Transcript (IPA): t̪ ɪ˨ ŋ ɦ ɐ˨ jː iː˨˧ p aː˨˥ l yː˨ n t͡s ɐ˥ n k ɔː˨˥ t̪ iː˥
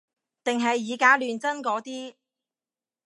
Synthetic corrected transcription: t̪ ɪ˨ ŋ ɦ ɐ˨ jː iː˨˧ k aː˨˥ l yː˨ n t͡s ɐ˥ n k ɔː˨˥ t̪ iː˥

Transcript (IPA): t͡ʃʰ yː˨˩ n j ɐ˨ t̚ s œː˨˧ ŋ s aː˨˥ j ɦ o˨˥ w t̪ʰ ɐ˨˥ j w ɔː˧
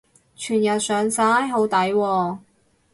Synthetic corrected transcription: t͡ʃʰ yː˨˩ n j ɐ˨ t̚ s œː˨˧ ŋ s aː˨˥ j ɦ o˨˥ w t̪ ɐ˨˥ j w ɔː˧

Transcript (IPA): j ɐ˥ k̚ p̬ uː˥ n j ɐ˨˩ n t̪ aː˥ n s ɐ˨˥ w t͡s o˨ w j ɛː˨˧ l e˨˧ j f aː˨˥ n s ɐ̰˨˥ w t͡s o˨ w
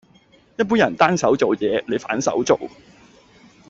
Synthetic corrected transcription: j ɐ˥ t̚ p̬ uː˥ n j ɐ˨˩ n t̪ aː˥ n s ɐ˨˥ w t͡s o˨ w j ɛː˨˧ l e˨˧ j f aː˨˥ n s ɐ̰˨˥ w t͡s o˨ w

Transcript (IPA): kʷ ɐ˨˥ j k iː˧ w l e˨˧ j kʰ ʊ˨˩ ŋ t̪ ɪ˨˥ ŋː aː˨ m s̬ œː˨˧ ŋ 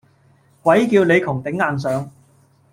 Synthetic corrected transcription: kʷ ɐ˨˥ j k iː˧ w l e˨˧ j kʰ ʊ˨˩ ŋ t̪ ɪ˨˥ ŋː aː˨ n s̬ œː˨˧ ŋ

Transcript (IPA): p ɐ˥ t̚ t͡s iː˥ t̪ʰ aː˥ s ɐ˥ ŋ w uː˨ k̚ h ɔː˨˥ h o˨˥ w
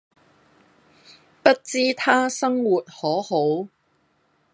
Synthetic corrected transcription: p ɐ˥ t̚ t͡s iː˥ t̪ʰ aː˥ s ɐ˥ ŋ w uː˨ t̚ h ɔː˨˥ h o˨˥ w

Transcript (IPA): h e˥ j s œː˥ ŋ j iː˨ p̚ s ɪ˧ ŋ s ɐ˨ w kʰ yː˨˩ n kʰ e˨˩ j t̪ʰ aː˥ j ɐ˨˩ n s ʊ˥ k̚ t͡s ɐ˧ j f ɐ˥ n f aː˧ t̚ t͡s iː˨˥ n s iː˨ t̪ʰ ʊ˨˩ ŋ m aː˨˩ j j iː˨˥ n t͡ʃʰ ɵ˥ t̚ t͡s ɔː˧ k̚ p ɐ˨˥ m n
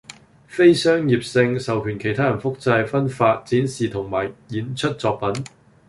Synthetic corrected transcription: f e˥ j s œː˥ ŋ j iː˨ p̚ s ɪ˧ ŋ s ɐ˨ w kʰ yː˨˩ n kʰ e˨˩ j t̪ʰ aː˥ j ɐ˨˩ n f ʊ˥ k̚ t͡s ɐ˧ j f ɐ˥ n f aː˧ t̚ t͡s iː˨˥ n s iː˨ t̪ʰ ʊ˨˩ ŋ m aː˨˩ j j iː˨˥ n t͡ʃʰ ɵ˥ t̚ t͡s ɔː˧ k̚ p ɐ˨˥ n

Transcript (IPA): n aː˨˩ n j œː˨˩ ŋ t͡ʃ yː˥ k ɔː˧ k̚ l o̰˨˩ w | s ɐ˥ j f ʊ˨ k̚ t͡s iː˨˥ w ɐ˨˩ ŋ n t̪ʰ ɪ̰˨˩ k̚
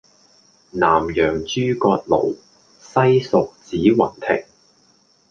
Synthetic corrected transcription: n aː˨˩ m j œː˨˩ ŋ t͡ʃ yː˥ k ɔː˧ t̚ l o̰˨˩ w | s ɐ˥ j s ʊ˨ k̚ t͡s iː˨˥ w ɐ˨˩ n t̪ʰ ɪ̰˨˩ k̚

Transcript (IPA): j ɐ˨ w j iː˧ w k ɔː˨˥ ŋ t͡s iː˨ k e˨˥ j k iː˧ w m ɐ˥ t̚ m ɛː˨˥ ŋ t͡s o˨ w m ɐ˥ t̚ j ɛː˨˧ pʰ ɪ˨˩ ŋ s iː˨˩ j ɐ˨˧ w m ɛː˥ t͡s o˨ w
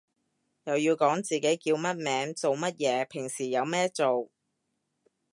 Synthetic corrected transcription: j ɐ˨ w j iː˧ w k ɔː˨˥ ŋ t͡s iː˨ k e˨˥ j k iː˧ w m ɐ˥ t̚ m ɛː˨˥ ŋ t͡s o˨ w m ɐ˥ t̚ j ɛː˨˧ pʰ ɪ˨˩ ŋ s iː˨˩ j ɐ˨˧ w m ɛː˥ t͡s o˨ w

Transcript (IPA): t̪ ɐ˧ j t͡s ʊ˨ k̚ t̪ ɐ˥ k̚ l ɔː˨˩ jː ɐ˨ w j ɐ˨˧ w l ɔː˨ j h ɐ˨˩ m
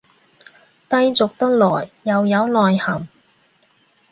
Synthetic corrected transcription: t̪ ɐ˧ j t͡s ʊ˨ k̚ t̪ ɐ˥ k̚ l ɔː˨˩ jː ɐ˨ w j ɐ˨˧ w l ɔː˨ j h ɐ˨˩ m

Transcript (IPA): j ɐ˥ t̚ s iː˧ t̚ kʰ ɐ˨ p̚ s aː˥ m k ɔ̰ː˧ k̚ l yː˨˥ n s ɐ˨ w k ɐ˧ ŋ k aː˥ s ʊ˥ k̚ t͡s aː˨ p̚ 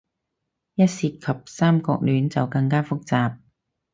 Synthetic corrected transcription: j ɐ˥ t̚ s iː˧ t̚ kʰ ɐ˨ p̚ s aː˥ m k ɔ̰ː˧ k̚ l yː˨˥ n t͡s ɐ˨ w k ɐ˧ ŋ k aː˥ f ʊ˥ k̚ t͡s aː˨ p̚

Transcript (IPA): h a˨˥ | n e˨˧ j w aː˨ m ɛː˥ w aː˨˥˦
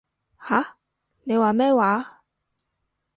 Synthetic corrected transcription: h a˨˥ | n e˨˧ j w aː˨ m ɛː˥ w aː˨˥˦

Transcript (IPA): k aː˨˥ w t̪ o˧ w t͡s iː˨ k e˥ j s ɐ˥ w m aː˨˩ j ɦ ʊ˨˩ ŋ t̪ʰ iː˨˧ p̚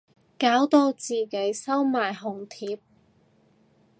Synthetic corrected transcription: k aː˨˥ w t̪ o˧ w t͡s iː˨ k e˨˥ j s ɐ˥ w m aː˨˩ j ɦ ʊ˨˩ ŋ t̪ʰ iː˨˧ p̚

